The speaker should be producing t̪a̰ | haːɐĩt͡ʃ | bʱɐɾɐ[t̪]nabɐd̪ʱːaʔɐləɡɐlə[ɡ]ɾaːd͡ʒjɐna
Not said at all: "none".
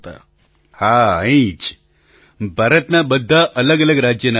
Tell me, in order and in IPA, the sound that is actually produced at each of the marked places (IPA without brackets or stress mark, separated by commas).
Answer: t̪, ɡ